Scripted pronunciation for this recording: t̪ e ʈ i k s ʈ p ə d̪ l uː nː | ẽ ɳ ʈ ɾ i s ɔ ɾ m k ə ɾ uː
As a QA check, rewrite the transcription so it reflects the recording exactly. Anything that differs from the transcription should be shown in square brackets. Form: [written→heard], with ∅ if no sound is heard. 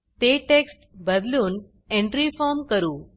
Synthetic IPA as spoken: t̪ e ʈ [i→e] k s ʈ [p→b] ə d̪ l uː [nː→n] | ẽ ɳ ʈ ɾ i [s→f] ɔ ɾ m k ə ɾ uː